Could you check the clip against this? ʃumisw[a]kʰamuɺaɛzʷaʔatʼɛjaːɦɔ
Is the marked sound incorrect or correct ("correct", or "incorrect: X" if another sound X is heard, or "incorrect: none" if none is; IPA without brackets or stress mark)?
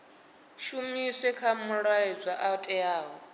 incorrect: ɛ